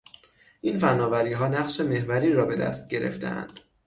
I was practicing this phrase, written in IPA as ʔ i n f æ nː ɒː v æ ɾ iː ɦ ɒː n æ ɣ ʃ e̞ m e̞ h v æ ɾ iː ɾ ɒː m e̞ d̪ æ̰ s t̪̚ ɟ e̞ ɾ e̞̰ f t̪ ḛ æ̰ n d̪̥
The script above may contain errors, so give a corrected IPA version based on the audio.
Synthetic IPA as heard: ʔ i n f æ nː ɒː v æ ɾ iː ɦ ɒː n æ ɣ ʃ e̞ m e̞ h v æ ɾ iː ɾ ɒː b e̞ d̪ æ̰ s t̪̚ ɟ e̞ ɾ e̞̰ f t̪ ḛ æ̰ n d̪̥